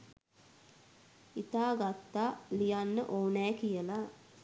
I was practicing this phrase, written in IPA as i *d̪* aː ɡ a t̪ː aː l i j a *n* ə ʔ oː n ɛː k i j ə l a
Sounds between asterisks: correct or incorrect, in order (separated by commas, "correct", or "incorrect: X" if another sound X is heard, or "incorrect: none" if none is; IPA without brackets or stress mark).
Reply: incorrect: t̪, incorrect: nː